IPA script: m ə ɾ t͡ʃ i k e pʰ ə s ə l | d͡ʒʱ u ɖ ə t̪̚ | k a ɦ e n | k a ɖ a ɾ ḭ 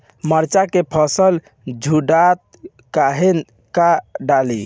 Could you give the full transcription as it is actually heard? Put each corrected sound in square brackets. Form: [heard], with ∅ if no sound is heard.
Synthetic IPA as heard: m ə ɾ t͡ʃ [a] k e pʰ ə s ə l | d͡ʒʱ u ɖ [a] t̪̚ | k a ɦ e n | k a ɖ a [l] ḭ